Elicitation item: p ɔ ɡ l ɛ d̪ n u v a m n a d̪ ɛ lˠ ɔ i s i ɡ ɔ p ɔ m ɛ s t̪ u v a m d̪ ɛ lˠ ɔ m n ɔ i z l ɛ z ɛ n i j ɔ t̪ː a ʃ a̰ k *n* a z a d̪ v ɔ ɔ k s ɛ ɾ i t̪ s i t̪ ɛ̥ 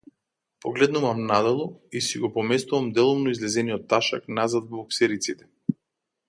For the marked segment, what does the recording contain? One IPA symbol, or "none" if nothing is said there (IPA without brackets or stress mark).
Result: n